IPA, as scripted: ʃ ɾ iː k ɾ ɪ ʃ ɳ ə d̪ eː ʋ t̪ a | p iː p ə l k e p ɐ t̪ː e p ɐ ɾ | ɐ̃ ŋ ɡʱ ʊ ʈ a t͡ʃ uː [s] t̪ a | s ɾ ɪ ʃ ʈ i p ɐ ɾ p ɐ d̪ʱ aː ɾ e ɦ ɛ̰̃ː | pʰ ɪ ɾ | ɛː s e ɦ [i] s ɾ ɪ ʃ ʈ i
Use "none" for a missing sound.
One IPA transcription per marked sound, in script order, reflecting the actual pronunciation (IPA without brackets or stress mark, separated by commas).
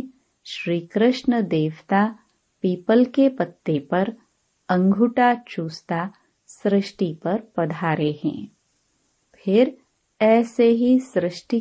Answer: s, i